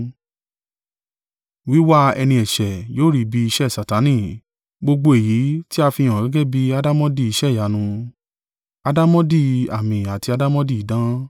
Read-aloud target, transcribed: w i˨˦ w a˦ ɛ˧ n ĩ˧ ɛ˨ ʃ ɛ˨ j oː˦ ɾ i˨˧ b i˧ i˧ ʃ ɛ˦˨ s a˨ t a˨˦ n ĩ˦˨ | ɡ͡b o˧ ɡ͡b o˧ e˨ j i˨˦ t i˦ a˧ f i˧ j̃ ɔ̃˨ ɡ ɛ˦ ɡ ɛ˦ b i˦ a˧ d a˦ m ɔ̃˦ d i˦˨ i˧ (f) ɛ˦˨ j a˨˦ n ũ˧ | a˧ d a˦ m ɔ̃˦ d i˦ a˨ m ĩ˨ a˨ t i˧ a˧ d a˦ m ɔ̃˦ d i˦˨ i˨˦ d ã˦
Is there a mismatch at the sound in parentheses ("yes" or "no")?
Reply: yes